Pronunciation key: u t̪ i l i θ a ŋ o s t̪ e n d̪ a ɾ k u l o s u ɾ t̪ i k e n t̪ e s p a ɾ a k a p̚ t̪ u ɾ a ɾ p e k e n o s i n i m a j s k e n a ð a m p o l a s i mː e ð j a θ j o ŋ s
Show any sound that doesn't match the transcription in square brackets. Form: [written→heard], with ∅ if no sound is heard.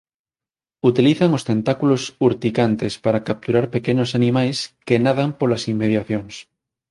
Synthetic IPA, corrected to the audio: u t̪ i l i θ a ŋ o s t̪ e n [d̪→t̪] a [ɾ→∅] k u l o s u ɾ t̪ i k [e→a] n t̪ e s p a ɾ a k a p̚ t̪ u ɾ a ɾ p e k e n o s [i→a] n i m a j s k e n a ð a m p o l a s i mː e ð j a θ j o ŋ s